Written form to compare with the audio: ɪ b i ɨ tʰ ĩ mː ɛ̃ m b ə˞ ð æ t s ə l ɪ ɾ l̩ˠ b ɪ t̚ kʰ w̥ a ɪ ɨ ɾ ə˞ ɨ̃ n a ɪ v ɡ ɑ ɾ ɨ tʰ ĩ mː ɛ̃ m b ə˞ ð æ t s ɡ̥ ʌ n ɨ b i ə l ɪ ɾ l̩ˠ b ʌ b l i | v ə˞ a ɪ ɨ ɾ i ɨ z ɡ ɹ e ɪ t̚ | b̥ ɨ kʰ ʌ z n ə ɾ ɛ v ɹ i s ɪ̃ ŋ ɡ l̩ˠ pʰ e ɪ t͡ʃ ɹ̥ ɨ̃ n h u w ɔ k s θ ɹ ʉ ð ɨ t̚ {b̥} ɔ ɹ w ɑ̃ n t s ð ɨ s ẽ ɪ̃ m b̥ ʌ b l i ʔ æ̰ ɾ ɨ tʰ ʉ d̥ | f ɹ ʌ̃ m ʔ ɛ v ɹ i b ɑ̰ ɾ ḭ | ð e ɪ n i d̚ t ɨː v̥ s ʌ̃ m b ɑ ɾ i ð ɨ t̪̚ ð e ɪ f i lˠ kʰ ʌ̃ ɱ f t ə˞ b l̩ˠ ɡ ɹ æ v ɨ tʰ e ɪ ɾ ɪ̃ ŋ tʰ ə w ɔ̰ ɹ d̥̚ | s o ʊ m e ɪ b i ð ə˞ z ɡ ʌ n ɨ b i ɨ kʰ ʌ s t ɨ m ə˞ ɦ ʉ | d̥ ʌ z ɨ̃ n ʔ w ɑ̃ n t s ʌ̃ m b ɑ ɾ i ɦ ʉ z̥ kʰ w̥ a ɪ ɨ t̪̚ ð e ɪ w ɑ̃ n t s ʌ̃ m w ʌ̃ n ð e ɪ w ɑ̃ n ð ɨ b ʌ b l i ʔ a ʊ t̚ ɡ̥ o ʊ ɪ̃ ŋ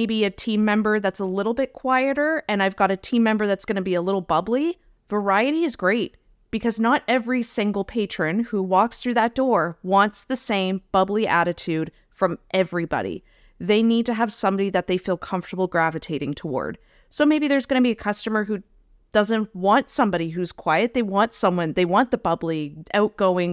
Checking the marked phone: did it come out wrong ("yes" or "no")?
yes